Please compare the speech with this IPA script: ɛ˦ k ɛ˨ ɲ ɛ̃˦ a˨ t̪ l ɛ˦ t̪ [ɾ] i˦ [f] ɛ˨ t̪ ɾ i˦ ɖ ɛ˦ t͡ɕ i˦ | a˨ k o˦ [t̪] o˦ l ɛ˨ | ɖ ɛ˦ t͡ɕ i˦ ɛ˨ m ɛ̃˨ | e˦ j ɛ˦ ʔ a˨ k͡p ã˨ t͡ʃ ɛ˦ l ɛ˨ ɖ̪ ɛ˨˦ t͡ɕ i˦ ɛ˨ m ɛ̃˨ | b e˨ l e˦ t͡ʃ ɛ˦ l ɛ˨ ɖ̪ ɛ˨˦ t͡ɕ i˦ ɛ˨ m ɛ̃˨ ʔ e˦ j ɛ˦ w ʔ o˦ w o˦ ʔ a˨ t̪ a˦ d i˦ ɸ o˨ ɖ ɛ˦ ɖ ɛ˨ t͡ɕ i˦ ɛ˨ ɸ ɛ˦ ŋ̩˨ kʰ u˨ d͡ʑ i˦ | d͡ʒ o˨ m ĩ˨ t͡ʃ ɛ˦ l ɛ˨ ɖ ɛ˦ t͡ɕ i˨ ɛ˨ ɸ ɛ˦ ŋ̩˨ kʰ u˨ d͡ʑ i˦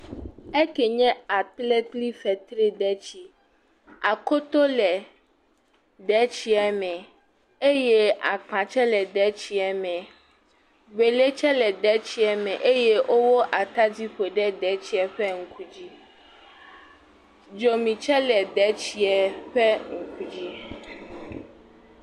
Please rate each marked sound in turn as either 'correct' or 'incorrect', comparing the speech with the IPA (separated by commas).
incorrect, correct, correct